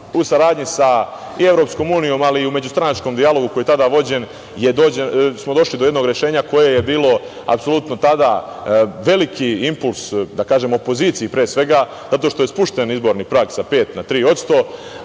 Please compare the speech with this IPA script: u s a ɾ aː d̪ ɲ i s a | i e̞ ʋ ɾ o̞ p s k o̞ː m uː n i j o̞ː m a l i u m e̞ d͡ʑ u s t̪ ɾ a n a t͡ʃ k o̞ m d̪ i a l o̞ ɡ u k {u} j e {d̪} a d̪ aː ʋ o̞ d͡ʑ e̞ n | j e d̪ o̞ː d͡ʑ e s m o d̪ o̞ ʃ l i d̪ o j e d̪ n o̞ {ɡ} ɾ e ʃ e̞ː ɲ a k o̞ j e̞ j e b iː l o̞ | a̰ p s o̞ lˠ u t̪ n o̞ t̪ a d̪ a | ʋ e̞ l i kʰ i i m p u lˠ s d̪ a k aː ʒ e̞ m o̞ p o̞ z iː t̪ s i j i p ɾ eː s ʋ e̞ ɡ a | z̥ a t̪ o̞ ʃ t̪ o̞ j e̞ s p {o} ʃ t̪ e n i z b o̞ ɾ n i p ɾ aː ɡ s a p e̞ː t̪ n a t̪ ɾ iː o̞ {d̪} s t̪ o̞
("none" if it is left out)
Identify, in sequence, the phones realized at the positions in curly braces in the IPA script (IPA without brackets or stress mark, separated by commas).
o, t̪, ɡ, u, t̪